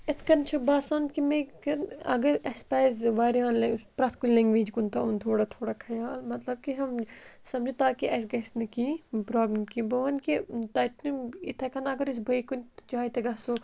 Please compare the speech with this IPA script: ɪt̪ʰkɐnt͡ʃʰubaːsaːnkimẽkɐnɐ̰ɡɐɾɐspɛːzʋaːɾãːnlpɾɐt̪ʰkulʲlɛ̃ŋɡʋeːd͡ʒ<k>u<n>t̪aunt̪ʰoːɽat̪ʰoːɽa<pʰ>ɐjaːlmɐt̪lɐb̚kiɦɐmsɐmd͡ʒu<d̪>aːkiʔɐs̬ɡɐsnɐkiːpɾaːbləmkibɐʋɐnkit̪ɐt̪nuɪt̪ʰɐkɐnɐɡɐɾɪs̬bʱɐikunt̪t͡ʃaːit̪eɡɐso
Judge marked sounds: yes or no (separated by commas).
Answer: yes, yes, no, no